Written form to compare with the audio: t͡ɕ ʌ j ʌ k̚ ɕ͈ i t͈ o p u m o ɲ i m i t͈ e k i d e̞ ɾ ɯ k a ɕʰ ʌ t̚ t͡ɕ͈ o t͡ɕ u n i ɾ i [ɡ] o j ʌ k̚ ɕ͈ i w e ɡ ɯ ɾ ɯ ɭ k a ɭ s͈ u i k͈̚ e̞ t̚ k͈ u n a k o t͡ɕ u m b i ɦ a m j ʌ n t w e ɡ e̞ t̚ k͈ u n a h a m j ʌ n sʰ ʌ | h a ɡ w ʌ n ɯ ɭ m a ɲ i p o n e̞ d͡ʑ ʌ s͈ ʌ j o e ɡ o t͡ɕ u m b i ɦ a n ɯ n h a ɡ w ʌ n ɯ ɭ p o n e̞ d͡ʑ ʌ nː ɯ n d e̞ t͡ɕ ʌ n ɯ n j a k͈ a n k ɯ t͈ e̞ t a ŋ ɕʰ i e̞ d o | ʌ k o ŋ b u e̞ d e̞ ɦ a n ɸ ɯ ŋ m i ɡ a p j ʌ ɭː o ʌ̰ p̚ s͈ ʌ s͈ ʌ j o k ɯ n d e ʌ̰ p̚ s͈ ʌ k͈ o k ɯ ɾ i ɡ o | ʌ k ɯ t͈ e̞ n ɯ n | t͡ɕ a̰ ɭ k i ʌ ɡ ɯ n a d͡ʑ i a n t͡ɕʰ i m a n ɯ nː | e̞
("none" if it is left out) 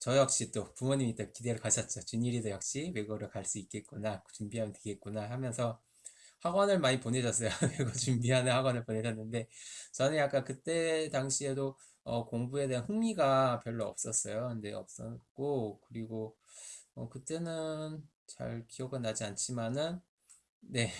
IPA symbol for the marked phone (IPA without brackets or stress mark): d